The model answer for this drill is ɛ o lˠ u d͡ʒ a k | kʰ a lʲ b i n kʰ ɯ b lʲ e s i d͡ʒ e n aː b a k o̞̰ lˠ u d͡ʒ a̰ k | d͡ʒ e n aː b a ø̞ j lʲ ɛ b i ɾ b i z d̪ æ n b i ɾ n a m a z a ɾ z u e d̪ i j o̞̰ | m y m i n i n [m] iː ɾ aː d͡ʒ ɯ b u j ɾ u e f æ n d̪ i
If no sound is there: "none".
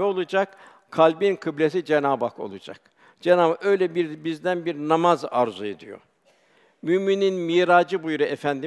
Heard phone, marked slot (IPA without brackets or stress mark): m